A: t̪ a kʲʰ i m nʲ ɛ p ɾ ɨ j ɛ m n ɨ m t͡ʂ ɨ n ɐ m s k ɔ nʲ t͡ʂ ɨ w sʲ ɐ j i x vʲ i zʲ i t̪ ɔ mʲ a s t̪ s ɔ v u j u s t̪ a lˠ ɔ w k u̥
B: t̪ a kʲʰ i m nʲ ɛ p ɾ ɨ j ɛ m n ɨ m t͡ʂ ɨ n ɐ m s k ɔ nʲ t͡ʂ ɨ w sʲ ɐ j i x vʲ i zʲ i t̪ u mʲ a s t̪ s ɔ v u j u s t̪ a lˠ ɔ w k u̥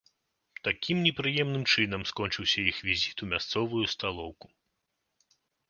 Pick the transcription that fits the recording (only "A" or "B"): B